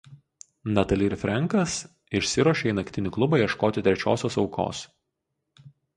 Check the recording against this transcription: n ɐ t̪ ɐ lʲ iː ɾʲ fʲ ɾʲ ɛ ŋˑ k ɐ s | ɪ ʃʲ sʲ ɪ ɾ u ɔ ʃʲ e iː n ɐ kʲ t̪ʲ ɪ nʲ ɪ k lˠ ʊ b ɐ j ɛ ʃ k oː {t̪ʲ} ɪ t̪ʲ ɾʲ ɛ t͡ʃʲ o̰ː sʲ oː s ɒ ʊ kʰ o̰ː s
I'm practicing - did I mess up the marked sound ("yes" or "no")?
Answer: no